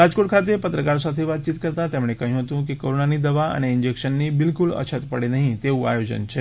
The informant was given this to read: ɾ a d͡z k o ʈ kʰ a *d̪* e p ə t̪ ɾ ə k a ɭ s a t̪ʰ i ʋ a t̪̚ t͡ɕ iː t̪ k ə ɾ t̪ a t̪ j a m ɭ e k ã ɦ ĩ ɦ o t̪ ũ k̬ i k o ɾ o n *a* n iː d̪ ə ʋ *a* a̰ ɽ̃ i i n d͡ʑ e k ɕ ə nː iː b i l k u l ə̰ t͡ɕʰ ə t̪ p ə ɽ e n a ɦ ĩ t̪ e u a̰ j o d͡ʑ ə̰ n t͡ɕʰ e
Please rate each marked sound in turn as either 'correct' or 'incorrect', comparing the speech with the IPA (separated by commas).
incorrect, correct, correct